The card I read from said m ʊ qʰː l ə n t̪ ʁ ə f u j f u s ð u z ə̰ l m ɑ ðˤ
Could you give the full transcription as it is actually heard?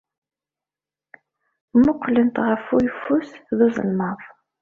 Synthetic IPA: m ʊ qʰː l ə n t̪ ʁ ə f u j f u s ð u z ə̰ l m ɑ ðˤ